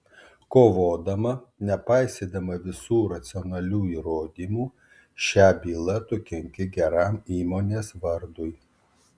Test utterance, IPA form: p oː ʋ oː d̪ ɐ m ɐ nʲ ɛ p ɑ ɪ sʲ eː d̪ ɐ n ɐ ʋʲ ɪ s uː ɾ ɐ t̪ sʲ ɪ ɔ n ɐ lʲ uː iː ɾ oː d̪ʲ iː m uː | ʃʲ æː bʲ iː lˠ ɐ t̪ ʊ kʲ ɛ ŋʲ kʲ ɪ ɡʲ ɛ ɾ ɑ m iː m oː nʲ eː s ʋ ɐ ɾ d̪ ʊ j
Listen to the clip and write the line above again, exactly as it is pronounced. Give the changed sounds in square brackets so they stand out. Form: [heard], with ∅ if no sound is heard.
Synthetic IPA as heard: [k] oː ʋ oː d̪ ɐ m ɐ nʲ ɛ p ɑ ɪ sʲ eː d̪ ɐ [m] ɐ ʋʲ ɪ s uː ɾ ɐ t̪ sʲ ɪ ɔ n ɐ lʲ uː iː ɾ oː d̪ʲ iː m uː | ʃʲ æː bʲ iː lˠ ɐ t̪ ʊ kʲ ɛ ŋʲ kʲ ɪ ɡʲ ɛ ɾ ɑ m iː m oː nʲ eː s ʋ ɐ ɾ d̪ ʊ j